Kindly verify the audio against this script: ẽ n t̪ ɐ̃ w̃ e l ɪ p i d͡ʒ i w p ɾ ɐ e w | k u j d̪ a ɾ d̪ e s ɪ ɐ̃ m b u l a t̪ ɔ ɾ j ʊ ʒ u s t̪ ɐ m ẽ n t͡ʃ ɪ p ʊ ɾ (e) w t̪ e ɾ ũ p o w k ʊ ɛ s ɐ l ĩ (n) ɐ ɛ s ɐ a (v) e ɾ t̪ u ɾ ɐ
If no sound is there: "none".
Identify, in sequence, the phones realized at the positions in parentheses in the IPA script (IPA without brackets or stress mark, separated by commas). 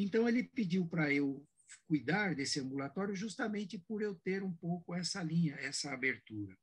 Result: e, ɲ, b